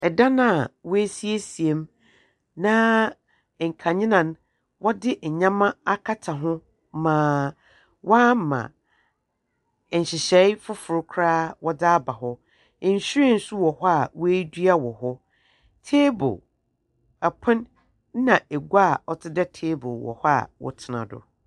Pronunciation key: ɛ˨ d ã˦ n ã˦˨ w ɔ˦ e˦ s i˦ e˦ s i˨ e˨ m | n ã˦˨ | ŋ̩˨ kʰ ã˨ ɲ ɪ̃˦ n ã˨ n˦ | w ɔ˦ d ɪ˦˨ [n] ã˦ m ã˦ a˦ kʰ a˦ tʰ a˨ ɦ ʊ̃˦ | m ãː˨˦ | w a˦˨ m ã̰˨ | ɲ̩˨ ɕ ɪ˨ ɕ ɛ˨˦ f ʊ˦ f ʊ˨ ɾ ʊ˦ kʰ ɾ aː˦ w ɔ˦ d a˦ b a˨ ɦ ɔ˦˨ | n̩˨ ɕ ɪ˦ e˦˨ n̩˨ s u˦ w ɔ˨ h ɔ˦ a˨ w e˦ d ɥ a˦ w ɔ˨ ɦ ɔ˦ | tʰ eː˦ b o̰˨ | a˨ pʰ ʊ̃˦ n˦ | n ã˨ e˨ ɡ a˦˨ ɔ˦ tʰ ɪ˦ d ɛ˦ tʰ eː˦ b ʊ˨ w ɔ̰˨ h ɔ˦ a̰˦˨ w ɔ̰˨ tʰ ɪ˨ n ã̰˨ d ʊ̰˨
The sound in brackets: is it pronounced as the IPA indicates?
no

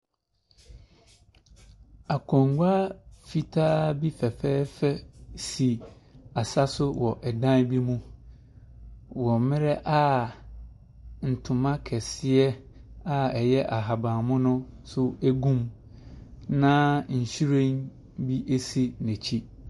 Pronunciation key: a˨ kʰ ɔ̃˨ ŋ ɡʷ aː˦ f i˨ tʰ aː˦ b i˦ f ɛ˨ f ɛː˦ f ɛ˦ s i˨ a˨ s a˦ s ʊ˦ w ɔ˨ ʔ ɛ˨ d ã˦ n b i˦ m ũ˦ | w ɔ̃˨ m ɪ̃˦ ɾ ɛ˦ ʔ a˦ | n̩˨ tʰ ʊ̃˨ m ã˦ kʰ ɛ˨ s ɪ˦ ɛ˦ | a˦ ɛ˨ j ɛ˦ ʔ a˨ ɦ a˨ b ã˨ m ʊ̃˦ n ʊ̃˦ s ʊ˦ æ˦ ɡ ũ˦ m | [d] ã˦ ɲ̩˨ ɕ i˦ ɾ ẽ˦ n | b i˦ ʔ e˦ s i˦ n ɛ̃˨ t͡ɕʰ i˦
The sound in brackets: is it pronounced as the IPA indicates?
no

